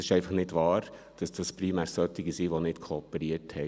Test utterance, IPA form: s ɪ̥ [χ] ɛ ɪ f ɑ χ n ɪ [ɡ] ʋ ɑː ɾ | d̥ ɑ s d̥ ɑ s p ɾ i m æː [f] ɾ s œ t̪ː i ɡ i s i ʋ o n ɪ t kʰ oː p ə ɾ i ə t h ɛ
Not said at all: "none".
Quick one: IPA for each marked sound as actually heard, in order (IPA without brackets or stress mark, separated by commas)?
ʃ, d, none